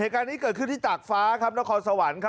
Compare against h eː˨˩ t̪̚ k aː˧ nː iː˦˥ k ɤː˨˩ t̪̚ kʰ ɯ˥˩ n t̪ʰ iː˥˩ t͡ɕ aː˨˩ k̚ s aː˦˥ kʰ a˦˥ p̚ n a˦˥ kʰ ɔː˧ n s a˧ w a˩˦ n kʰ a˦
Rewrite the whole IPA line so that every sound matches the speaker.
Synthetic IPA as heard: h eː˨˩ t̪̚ k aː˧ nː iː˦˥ k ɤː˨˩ t̪̚ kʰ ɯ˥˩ n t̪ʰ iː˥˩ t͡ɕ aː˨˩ k̚ f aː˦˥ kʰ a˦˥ p̚ n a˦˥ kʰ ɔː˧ n s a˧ w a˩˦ n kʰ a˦